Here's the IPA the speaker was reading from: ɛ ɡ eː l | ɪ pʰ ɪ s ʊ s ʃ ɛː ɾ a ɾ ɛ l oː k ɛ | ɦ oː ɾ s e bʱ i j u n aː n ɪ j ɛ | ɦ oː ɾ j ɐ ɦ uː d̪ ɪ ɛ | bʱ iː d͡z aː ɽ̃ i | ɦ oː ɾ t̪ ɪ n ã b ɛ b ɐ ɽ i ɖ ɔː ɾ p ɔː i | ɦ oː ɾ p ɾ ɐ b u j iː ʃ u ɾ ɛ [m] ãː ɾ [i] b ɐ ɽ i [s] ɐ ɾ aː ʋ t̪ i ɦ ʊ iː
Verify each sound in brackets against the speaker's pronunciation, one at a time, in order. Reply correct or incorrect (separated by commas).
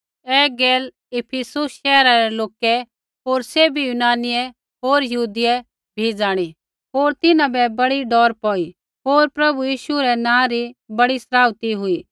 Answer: incorrect, correct, correct